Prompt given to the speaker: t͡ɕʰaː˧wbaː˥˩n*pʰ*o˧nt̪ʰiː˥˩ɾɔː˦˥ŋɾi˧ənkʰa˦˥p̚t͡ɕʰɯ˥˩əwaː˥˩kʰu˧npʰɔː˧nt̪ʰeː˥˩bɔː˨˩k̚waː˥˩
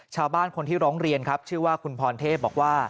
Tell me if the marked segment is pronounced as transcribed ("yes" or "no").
no